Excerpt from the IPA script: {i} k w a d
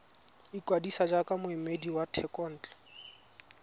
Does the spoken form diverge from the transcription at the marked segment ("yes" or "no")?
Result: no